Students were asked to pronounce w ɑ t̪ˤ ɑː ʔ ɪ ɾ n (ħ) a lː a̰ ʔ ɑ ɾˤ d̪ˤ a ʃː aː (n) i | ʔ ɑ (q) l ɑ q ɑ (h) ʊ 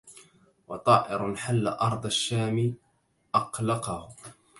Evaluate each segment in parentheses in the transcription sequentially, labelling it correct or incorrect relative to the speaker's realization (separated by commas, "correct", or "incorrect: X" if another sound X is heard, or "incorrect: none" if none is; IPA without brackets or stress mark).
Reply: correct, incorrect: m, correct, correct